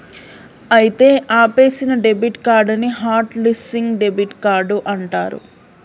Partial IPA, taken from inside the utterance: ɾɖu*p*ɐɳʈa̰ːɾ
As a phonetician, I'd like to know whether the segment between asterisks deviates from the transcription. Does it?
yes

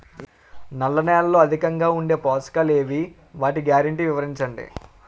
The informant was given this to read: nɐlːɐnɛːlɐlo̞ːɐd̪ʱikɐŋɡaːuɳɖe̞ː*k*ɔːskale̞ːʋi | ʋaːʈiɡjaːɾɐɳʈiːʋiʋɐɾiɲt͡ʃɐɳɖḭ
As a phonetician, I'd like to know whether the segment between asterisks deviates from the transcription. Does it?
yes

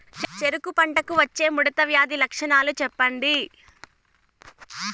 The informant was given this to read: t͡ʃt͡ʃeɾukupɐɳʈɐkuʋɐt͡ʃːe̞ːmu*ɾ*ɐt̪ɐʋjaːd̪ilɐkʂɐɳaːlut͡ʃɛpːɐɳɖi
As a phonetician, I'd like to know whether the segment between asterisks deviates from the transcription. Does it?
yes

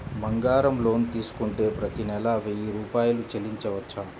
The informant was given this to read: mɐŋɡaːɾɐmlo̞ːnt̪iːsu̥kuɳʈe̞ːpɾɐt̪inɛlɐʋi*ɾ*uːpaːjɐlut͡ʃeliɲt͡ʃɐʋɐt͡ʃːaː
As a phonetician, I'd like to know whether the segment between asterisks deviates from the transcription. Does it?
no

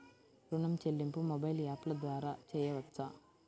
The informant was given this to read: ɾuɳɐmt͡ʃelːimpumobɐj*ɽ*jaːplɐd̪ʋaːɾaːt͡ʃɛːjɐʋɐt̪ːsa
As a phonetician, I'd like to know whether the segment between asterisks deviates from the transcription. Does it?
yes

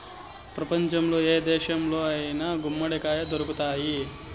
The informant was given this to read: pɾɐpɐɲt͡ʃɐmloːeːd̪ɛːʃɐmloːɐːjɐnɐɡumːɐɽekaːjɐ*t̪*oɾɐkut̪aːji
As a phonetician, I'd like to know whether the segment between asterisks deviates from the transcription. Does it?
yes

